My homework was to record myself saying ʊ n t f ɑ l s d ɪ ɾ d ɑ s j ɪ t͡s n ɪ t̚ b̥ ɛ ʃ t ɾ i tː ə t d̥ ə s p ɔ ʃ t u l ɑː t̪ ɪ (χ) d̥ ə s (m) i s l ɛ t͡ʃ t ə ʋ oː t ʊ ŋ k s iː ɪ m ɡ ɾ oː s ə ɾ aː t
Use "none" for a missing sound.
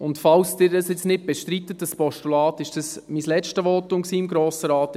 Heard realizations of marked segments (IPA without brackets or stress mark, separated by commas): ʃ, m